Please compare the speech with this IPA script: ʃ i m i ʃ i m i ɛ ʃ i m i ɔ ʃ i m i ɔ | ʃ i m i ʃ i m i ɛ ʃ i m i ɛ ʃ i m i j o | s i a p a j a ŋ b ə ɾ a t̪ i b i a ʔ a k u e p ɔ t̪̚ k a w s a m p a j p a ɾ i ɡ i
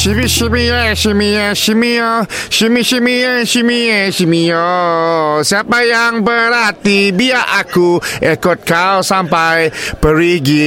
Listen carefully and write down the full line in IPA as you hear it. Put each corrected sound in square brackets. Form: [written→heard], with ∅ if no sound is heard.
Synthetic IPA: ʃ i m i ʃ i m i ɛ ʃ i m i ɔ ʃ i m i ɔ | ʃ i m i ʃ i m i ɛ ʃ i m i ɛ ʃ i m i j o | s i a p a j a ŋ b ə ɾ a t̪ i b i a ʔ a k u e [p→k] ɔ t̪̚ k a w s a m p a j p [a→ə] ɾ i ɡ i